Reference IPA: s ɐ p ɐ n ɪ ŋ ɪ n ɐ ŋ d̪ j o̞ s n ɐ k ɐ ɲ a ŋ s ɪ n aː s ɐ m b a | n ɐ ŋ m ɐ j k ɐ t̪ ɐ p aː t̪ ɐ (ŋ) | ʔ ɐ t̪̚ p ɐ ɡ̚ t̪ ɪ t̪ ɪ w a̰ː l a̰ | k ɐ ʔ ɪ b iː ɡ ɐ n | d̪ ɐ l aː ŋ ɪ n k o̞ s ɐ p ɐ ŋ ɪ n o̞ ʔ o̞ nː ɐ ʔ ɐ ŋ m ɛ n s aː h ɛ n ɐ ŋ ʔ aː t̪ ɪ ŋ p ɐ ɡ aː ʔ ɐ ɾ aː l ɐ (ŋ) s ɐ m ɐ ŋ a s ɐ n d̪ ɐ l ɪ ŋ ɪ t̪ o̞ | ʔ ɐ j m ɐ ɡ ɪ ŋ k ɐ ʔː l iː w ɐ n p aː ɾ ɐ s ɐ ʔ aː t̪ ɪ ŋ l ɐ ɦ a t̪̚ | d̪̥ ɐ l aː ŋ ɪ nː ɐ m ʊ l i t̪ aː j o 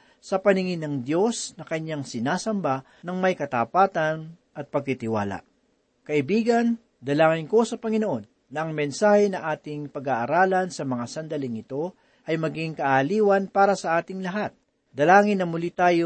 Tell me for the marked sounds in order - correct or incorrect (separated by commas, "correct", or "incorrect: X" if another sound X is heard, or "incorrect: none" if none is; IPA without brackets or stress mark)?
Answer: incorrect: n, incorrect: n